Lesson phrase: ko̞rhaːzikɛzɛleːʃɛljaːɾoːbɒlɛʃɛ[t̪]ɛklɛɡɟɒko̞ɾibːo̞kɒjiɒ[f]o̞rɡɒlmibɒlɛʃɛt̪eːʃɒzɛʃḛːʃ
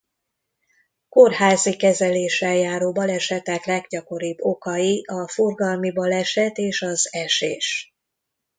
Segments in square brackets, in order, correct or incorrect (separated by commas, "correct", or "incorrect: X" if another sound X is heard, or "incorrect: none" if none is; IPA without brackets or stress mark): correct, correct